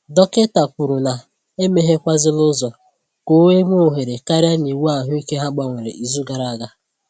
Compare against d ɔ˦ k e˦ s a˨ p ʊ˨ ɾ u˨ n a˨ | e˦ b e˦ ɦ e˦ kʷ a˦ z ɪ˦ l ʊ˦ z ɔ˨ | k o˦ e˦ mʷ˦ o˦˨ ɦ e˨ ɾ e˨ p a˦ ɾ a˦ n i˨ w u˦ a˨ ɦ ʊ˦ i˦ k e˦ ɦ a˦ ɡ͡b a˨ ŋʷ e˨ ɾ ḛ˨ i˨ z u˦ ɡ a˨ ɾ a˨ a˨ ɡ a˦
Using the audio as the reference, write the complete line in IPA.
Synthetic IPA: d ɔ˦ k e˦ t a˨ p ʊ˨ ɾ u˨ n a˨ | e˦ m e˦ ɦ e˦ kʷ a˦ z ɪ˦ l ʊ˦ z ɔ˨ | k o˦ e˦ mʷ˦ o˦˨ ɦ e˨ ɾ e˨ k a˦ ɾ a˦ n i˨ w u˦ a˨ ɦ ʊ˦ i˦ k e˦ ɦ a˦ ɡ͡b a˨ ŋʷ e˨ ɾ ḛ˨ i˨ z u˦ ɡ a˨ ɾ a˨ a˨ ɡ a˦